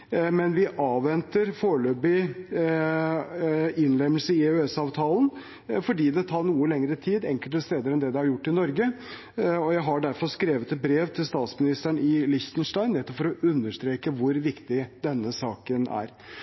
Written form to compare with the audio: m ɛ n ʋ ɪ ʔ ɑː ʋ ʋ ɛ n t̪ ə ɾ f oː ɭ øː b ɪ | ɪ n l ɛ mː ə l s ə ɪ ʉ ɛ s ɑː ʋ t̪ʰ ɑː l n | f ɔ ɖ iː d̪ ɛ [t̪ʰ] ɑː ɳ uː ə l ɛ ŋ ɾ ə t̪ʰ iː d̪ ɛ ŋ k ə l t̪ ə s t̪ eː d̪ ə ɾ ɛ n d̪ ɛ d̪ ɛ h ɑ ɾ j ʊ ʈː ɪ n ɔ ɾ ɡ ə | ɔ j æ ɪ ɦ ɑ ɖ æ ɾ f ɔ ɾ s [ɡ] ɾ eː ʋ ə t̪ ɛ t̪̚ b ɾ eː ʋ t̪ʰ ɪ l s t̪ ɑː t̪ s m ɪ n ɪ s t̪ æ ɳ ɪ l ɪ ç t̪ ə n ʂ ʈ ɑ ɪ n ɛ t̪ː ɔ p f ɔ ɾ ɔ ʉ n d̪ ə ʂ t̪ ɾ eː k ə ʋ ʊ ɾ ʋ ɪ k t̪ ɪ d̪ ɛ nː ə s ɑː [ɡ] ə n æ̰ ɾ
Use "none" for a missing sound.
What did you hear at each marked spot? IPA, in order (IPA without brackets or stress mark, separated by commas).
t̪ʰ, k, k